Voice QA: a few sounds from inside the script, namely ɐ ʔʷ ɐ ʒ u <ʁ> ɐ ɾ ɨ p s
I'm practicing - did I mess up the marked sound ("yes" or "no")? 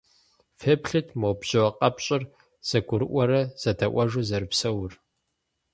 yes